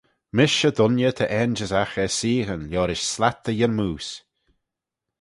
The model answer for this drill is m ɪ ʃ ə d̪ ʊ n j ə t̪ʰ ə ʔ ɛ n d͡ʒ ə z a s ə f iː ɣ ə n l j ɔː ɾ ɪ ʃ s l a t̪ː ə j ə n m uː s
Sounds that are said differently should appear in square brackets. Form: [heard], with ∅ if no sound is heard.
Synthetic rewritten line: m ɪ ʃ ə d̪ ʊ n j ə t̪ʰ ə ʔ ɛ n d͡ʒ ə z a [x] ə [s] iː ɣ ə n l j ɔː ɾ ɪ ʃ s l a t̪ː ə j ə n m uː s